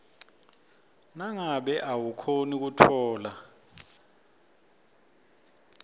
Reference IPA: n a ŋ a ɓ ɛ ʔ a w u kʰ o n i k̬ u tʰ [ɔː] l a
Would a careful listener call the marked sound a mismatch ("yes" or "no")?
no